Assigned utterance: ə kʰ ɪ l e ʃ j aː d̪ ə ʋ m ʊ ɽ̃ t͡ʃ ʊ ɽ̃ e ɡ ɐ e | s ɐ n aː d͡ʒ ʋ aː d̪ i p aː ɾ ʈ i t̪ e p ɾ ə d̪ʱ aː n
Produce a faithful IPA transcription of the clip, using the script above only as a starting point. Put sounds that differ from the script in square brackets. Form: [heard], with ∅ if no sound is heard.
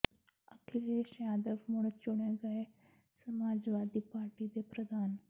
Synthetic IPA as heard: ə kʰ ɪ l e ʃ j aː d̪ ə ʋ m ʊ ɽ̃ t͡ʃ ʊ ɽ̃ e ɡ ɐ e | s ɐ [m] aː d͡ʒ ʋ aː d̪ i p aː ɾ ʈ i [d̪] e p ɾ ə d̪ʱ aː n